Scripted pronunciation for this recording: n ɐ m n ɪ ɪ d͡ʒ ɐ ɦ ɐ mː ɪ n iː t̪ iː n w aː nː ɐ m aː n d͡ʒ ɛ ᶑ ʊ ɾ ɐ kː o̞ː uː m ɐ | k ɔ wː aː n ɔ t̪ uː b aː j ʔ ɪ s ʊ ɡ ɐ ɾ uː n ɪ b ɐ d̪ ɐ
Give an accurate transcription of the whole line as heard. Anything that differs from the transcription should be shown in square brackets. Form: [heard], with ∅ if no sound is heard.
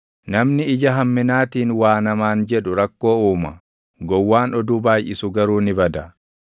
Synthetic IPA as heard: n ɐ m n ɪ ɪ d͡ʒ ɐ ɦ ɐ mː ɪ n [aː] t̪ iː n w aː [n] ɐ m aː n d͡ʒ ɛ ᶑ ʊ ɾ ɐ kː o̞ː uː m ɐ | [ɡ] ɔ wː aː n ɔ [d̪] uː b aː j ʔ ɪ s ʊ ɡ ɐ ɾ uː n ɪ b ɐ d̪ ɐ